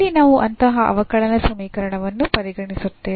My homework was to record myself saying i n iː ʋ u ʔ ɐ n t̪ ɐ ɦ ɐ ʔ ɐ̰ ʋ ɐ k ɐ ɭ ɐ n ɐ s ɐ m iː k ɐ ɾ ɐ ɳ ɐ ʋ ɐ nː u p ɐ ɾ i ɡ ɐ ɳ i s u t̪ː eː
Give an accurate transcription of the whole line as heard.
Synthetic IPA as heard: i n aː ʋ u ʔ ɐ n t̪ ɐ ɦ ɐ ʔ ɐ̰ ʋ ɐ k ɐ ɭ ɐ n ɐ s ɐ m iː k ɐ ɾ ɐ ɳ ɐ ʋ ɐ nː u p ɐ ɾ i ɡ ɐ ɳ i s u t̪ː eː